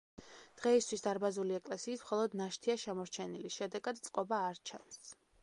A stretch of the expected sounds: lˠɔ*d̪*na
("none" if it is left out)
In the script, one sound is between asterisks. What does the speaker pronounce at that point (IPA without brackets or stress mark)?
d̪